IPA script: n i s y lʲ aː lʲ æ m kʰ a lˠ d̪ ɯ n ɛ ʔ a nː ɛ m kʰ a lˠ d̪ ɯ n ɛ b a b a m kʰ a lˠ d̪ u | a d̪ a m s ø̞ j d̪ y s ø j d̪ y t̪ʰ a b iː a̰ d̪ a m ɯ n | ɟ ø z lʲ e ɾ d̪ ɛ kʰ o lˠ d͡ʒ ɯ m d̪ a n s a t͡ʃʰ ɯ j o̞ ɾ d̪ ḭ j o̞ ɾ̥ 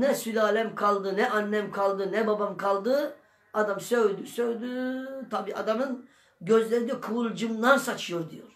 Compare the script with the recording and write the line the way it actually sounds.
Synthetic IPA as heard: n ɛ s y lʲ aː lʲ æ m kʰ a lˠ d̪ ɯ n ɛ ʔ a nː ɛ m kʰ a lˠ d̪ ɯ n ɛ b a b a m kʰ a lˠ d̪ ɯ | a d̪ a m s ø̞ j d̪ y s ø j d̪ y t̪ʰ a b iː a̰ d̪ a m ɯ n | ɟ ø z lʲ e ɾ d̪ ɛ kʰ u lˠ d͡ʒ ɯ m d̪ a n s a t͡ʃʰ ɯ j o̞ ɾ d̪ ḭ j o̞ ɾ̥